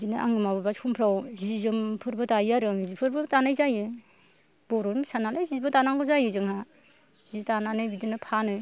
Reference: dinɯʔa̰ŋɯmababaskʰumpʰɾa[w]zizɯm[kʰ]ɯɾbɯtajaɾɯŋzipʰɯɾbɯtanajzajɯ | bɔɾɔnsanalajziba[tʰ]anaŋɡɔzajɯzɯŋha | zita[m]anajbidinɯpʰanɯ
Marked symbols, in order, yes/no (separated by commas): yes, no, no, no